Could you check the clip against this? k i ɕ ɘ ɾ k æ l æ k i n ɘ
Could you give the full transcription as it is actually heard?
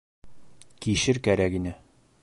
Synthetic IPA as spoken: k i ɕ ɘ ɾ k æ ɾ æ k i n ɘ